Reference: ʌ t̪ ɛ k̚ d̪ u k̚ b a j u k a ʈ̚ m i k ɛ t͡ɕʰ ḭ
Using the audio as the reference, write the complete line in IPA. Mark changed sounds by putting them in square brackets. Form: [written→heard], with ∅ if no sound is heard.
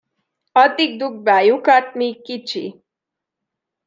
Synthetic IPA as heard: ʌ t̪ [ɛ→i] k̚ d̪ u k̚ b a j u k a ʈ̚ m i k [ɛ→i] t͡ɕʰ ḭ